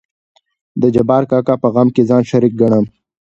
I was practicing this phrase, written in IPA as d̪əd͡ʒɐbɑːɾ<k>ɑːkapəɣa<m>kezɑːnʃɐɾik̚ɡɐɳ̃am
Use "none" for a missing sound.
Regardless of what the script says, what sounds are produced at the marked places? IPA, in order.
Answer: k, m

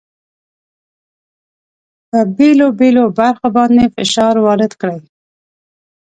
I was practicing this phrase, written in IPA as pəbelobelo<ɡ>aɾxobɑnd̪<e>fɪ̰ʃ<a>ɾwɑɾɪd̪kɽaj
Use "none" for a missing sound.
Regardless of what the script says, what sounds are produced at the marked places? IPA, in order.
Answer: b, e, ɑ

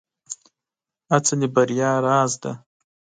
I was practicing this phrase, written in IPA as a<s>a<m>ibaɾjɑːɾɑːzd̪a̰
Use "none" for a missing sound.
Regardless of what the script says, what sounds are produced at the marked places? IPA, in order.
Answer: t͡s, n

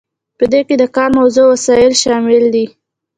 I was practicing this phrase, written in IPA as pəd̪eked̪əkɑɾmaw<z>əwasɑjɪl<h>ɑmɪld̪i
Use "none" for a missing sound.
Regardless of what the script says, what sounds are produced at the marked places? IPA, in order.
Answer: z, ʃ

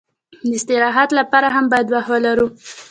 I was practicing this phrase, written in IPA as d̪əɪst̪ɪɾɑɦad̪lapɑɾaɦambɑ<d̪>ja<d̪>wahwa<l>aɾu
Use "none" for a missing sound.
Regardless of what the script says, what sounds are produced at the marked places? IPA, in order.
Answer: none, d̪, l

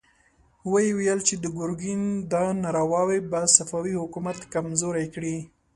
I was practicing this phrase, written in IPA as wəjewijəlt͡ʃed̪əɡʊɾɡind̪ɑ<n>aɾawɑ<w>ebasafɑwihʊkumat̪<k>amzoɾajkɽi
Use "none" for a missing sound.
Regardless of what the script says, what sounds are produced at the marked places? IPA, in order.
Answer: n, w, k

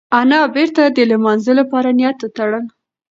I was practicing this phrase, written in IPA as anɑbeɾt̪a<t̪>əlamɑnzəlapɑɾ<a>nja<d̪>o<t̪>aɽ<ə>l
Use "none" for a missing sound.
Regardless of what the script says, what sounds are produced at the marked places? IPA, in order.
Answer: d̪, a, t̪, t̪, ə

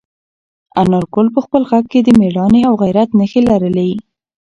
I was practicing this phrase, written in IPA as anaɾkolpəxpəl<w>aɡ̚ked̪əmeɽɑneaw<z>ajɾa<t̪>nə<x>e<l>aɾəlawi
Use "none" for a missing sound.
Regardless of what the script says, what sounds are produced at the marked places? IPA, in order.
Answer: ɣ, ɣ, t̪, x, l

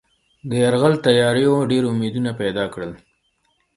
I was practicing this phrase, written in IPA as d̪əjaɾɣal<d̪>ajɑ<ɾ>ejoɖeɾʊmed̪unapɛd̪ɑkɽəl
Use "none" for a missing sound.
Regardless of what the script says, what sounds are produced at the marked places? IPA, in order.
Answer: t̪, ɾ

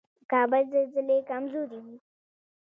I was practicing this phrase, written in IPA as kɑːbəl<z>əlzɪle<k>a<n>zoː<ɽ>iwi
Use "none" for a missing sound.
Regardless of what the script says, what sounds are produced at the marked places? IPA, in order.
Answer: z, k, m, ɾ

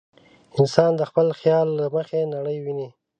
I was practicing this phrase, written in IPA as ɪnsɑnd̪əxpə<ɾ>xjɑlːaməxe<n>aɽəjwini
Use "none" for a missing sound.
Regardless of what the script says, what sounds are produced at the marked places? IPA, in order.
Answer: l, n

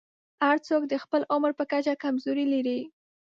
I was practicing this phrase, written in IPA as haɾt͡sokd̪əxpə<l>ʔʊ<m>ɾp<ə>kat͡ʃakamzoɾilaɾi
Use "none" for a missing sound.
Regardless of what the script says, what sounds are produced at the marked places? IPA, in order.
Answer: l, m, ə

